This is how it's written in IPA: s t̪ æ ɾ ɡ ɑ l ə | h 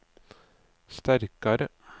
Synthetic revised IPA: s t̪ æ ɾ k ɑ ɾ ə | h